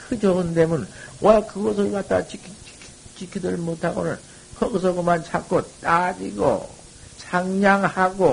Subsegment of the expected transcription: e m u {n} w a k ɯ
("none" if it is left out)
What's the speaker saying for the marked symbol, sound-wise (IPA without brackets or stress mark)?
n